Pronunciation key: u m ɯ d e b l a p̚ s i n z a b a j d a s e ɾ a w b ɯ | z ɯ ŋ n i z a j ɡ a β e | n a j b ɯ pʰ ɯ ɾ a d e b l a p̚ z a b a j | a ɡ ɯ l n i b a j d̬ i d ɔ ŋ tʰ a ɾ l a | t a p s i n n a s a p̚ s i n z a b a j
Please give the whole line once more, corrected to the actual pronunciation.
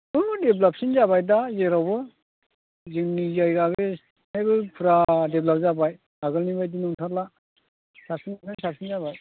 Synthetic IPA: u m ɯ d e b l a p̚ s i n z a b a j d a z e ɾ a w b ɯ | z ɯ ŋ n i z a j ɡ a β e | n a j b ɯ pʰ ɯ ɾ a d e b l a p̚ z a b a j | a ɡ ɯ l n i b a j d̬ i n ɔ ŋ tʰ a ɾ l a | s a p s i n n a s a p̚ s i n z a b a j